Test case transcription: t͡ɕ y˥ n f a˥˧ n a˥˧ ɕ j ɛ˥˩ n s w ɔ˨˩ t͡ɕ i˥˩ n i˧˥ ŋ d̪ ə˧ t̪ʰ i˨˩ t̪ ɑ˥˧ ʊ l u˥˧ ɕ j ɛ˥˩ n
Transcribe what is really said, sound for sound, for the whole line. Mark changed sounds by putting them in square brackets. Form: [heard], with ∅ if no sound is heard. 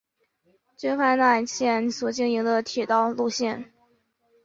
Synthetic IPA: t͡ɕ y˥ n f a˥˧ n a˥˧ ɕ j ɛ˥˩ n s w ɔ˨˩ t͡ɕ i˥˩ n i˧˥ ŋ d̪ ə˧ t̪ʰ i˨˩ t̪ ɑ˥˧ ʊ l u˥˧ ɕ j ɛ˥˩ n